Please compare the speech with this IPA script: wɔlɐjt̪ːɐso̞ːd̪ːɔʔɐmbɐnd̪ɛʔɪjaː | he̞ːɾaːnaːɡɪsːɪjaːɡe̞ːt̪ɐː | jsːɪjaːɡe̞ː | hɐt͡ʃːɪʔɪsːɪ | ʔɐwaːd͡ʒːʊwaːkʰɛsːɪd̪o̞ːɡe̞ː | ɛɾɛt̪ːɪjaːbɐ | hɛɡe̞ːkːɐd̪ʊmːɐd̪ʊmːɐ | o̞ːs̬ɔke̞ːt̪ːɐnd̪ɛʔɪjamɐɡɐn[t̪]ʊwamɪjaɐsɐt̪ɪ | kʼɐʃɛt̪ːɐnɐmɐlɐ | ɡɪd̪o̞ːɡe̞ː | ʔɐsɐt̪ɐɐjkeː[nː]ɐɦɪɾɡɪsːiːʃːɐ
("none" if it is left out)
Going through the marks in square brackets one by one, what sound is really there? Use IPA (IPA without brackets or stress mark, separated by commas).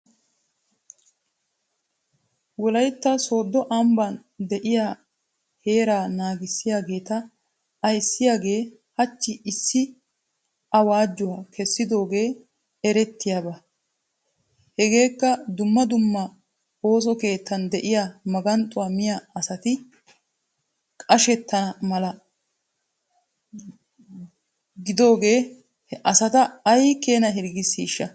t̪ʼ, n